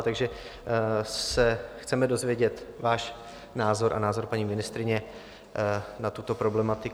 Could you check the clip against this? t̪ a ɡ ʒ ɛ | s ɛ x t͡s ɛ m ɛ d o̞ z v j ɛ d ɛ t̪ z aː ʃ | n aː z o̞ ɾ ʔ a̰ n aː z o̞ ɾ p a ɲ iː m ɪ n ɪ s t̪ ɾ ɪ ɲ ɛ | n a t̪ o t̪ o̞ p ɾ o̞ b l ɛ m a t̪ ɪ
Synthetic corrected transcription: t̪ a ɡ ʒ ɛ | s ɛ x t͡s ɛ m ɛ d o̞ z v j ɛ ɟ ɛ t̪ v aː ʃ | n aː z o̞ ɾ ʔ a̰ n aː z o̞ ɾ p a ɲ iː m ɪ n ɪ s t̪ ɾ ɪ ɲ ɛ | n a t̪ u t̪ o̞ p ɾ o̞ b l ɛ m a t̪ ɪ